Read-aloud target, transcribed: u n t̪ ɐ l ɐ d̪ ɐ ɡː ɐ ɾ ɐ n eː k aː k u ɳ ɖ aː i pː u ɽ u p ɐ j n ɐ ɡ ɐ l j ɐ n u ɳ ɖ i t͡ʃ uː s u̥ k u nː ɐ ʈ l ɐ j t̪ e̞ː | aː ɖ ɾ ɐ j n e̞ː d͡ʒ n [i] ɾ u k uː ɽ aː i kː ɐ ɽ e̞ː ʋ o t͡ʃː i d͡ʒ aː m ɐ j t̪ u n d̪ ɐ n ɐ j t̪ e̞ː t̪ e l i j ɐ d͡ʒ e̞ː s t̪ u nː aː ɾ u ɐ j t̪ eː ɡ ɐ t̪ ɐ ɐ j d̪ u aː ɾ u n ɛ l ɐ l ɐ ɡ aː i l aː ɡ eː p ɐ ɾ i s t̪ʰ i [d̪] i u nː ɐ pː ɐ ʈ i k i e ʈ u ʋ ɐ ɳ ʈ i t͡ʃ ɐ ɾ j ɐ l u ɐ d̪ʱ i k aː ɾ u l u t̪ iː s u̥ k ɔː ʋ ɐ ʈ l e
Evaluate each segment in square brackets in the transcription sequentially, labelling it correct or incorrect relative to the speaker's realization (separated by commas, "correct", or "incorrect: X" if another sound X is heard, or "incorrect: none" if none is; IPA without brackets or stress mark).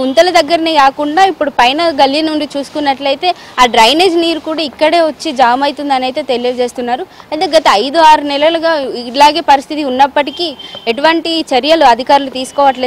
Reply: incorrect: iː, incorrect: t̪